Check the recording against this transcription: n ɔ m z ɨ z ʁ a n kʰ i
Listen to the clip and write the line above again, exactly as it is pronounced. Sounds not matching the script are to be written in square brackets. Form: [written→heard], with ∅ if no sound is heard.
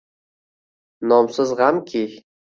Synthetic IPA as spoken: n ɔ m [z→s] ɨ z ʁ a [n→m] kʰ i